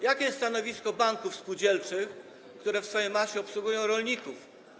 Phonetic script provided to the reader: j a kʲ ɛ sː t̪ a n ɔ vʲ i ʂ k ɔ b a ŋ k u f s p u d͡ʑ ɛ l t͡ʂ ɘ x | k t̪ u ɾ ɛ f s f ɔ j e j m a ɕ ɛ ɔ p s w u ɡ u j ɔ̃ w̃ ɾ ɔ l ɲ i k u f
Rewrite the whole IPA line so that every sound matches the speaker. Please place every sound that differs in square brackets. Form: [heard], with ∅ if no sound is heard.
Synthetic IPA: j a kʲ ɛ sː t̪ a n ɔ vʲ i [s] k ɔ b a ŋ k u f s p u d͡ʑ ɛ l t͡ʂ ɘ x | k t̪ u ɾ ɛ f s f ɔ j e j m a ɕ ɛ ɔ p s w u ɡ u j ɔ̃ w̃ ɾ ɔ l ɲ i k u f